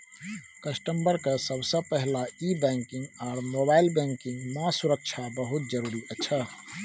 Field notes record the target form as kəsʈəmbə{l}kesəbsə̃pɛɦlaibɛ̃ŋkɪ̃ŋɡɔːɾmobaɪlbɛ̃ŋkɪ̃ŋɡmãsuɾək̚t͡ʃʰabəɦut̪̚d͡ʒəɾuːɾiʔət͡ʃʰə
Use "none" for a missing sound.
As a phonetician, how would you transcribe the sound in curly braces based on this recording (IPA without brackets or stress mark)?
ɾ